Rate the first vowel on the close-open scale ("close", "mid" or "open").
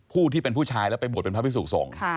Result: close